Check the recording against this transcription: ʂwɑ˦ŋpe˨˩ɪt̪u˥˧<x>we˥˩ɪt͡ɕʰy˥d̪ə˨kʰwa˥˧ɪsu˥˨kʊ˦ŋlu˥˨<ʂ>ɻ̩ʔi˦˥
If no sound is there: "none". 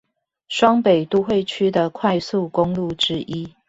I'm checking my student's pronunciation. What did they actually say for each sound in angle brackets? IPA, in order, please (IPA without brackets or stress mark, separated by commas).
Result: x, ʈ͡ʂ